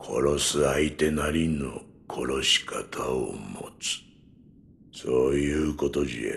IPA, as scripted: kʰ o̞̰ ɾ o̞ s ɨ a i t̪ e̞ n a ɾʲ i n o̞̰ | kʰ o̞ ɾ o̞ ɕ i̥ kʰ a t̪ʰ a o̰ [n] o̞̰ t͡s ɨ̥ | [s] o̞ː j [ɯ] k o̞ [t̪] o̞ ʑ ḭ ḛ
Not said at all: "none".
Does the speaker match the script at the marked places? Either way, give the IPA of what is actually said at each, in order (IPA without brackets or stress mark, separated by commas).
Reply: m, s, ɯː, t̪